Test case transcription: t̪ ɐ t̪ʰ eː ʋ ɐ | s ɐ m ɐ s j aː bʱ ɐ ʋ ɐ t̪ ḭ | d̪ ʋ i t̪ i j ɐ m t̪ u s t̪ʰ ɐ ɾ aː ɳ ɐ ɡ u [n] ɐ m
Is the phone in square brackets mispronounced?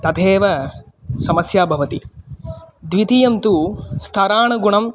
yes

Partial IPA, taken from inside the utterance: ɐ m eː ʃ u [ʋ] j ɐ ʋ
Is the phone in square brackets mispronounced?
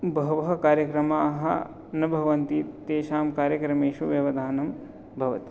no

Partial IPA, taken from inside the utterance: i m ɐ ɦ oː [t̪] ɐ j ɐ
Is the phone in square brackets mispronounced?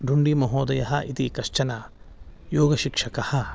yes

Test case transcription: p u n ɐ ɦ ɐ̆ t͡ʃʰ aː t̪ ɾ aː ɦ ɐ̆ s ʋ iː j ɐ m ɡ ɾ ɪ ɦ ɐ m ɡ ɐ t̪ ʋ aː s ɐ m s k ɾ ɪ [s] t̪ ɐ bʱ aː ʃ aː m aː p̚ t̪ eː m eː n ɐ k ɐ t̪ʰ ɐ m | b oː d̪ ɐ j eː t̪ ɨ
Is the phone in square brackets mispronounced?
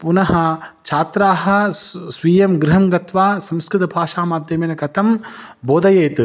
yes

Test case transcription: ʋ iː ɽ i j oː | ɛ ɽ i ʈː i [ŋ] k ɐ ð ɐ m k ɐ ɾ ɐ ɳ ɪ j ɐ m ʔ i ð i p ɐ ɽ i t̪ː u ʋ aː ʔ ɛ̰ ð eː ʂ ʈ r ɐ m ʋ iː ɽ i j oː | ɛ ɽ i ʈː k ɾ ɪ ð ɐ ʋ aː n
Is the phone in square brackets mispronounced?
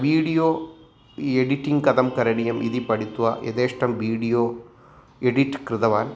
no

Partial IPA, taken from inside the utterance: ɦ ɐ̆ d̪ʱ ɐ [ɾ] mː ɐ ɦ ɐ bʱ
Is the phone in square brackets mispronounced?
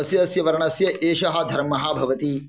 no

